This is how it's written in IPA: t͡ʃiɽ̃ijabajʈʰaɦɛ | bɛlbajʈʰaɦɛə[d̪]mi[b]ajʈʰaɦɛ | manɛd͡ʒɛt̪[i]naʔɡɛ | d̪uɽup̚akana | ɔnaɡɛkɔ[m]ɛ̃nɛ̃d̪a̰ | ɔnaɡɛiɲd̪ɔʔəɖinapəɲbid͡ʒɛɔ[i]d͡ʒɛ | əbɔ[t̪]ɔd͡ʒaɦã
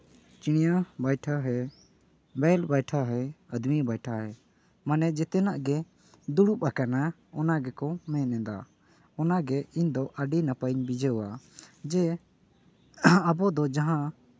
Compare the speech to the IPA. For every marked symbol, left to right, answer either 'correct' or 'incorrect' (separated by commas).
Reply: correct, correct, incorrect, correct, incorrect, incorrect